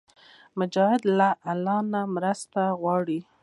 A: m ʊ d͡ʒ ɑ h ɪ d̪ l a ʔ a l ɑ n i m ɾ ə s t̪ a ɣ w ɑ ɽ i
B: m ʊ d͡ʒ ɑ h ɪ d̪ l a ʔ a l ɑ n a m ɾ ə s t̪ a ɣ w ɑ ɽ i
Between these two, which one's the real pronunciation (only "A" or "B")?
B